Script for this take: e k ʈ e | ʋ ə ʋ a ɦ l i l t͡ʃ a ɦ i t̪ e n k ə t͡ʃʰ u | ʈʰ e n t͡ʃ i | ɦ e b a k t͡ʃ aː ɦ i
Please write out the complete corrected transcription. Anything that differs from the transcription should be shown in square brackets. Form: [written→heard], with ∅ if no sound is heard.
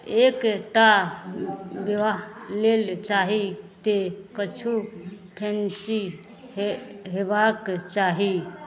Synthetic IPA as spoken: e k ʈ [e→a] | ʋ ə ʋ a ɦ l [i→e] l t͡ʃ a ɦ i t̪ e [n→∅] k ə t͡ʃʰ u | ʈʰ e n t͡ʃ i | ɦ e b a k t͡ʃ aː ɦ i